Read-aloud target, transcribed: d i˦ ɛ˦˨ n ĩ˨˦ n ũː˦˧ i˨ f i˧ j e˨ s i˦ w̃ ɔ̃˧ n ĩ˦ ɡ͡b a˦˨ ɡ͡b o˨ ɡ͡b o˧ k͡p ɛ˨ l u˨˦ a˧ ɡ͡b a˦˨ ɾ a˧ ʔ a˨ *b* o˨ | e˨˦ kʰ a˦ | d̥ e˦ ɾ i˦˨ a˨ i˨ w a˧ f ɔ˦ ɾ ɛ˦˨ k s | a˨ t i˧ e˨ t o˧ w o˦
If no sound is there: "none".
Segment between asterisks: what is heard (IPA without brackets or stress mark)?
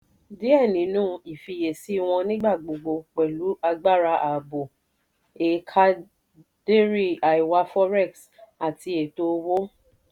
b